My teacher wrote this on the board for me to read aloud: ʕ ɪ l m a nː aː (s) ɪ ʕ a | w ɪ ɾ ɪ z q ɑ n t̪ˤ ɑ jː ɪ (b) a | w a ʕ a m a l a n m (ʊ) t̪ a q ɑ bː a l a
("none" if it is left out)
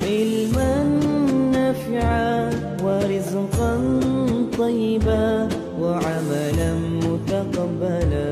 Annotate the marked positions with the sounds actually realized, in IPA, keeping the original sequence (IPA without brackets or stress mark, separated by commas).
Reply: f, b, ʊ